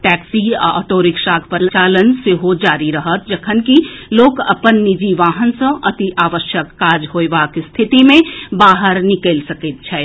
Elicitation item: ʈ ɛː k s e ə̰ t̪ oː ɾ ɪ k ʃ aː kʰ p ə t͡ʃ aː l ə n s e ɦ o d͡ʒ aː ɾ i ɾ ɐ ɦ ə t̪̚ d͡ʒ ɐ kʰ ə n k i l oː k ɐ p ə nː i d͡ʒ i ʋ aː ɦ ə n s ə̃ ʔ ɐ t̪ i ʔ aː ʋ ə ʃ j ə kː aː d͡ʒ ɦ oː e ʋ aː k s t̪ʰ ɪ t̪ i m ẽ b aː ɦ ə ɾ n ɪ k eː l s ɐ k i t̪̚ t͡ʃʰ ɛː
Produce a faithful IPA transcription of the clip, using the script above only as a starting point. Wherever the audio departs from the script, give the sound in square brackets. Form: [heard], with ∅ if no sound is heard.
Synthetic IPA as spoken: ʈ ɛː k s [i] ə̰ t̪ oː ɾ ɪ k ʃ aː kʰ p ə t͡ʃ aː l ə n s e ɦ o d͡ʒ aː ɾ i ɾ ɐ ɦ ə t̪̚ d͡ʒ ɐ kʰ ə n k i l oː k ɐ p ə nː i d͡ʒ i ʋ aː ɦ ə n s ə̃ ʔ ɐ t̪ i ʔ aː ʋ ə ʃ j ə kː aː d͡ʒ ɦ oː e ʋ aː k s t̪ʰ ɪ t̪ i m ẽ b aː ɦ ə ɾ n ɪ k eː l s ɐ k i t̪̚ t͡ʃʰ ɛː